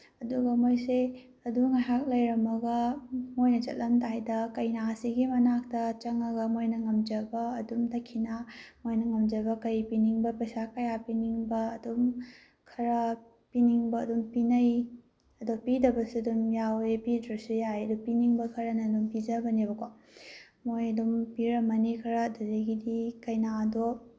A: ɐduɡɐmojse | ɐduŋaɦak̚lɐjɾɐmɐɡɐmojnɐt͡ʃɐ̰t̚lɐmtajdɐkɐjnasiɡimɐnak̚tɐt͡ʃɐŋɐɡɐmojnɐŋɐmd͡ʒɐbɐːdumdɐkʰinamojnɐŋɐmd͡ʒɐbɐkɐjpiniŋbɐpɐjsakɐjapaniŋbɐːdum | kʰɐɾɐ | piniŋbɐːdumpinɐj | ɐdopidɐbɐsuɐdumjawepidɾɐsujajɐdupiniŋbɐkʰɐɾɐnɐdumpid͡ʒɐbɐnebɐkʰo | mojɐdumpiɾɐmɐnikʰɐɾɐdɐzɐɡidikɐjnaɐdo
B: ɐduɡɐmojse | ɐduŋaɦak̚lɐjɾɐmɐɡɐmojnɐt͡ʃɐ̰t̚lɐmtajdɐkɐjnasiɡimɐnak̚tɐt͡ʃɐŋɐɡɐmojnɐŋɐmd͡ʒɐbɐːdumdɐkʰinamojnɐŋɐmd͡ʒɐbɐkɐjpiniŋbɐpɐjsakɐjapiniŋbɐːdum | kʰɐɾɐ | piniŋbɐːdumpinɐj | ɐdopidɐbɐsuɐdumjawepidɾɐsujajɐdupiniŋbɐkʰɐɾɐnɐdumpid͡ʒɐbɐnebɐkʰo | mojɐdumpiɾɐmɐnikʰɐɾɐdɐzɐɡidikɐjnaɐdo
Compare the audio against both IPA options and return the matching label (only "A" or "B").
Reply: B